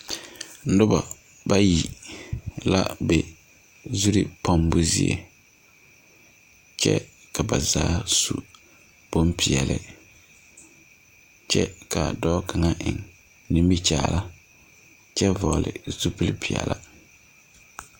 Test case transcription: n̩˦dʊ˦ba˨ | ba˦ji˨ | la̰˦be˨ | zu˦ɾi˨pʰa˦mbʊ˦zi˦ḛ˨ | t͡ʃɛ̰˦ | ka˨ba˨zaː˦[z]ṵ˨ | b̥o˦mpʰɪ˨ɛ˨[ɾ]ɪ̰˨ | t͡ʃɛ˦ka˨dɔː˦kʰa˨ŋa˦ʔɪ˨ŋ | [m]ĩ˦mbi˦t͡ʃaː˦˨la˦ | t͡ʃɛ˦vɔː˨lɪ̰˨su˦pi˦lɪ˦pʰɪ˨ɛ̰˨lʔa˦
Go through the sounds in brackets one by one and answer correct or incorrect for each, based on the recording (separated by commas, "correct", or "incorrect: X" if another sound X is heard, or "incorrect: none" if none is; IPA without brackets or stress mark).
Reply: incorrect: s, incorrect: l, incorrect: n